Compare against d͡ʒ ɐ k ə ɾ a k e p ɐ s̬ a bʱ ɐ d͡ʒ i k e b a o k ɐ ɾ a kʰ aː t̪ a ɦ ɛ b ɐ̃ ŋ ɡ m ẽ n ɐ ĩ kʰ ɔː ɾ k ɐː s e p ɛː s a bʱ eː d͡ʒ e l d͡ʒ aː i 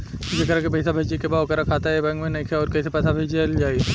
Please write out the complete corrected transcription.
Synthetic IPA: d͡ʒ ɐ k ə ɾ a k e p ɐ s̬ a bʱ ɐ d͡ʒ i k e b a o k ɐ ɾ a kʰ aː t̪ a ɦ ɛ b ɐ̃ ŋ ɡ m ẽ n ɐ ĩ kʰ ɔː ɾ k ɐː s e p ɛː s a bʱ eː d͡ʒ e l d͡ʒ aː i